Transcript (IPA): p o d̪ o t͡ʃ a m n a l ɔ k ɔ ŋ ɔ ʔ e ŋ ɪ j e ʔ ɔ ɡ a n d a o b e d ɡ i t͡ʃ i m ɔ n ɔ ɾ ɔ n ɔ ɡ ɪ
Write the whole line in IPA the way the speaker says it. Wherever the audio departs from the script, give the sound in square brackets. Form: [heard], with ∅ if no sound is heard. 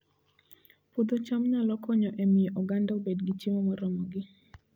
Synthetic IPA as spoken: p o d̪ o t͡ʃ a m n a l ɔ k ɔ [ɲ] ɔ ʔ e [m] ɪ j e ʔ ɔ ɡ a n d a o b e d ɡ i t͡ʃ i m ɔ [m] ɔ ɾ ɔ [m] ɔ ɡ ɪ

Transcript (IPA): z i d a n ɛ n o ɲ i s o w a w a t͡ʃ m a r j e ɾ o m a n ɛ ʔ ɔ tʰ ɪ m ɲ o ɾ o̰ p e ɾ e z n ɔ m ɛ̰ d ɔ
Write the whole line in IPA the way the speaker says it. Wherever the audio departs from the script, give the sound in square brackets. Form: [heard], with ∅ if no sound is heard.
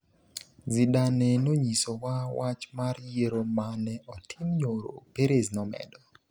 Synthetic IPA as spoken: z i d a n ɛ n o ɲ i s o w a w a t͡ʃ m a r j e ɾ o m a n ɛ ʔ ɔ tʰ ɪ m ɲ o ɾ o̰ p e ɾ e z n ɔ m ɛ̰ d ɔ

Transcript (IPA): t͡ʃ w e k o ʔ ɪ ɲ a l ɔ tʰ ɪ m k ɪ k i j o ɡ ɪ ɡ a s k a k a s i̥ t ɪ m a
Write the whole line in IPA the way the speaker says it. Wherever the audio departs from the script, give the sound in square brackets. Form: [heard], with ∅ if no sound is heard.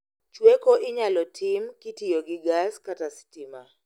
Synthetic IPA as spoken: t͡ʃ w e k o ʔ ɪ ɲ a l ɔ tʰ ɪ m k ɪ [t] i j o ɡ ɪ ɡ a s k a [t] a s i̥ t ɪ m a

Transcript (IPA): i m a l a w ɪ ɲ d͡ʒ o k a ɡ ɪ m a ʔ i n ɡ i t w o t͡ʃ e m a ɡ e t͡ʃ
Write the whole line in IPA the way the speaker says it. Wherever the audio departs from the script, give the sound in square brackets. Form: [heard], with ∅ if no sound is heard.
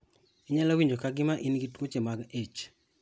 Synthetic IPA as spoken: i [ɲ] a l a w [i] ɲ d͡ʒ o k a ɡ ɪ m a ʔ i n ɡ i t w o t͡ʃ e m a ɡ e t͡ʃ

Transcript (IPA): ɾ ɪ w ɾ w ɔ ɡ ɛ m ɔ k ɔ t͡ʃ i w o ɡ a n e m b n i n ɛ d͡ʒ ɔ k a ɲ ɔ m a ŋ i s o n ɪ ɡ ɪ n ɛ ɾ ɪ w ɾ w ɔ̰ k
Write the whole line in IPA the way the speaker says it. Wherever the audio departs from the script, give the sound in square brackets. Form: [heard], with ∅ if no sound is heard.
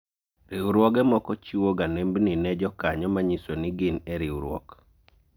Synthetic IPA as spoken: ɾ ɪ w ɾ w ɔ ɡ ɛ m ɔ k ɔ t͡ʃ i w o ɡ a n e m b n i n ɛ d͡ʒ ɔ k a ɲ ɔ m a [ɲ] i s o n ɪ ɡ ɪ n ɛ ɾ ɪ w ɾ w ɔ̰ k

